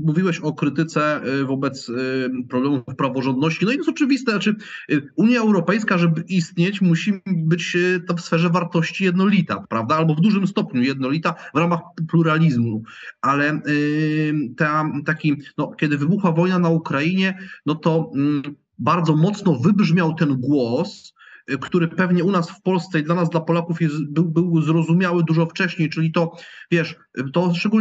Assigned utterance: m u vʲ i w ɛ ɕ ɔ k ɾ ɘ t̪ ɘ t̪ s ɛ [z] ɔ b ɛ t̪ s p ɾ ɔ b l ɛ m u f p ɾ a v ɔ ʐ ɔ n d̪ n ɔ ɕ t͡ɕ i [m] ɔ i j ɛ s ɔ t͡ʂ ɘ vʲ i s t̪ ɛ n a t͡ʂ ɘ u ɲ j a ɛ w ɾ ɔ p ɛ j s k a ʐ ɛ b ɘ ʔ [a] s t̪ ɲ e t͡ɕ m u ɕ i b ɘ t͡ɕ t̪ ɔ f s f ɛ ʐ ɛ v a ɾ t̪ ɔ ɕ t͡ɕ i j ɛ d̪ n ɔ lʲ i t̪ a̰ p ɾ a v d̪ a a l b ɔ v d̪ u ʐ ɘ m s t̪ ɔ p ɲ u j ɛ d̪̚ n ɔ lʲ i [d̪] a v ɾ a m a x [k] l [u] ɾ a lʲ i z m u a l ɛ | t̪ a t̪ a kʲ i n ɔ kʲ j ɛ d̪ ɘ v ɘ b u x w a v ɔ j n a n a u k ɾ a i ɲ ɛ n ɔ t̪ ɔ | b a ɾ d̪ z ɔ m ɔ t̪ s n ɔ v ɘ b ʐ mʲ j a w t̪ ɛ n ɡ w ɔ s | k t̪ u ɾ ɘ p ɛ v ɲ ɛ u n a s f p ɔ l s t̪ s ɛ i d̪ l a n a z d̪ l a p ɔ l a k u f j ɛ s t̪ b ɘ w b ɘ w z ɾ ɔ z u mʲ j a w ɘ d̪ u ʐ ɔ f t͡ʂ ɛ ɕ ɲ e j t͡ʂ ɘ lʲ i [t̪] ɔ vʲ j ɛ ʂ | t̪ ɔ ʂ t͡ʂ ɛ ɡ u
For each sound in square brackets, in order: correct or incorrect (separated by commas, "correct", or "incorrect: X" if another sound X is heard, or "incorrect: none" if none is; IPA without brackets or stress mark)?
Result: incorrect: v, incorrect: n, incorrect: i, incorrect: t̪, incorrect: p, correct, correct